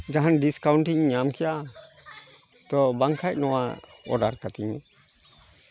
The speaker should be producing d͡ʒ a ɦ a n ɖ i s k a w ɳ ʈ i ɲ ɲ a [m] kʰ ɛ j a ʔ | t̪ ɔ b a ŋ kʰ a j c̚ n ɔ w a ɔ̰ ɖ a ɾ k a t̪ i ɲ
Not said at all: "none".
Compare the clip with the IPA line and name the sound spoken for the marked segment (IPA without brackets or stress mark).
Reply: m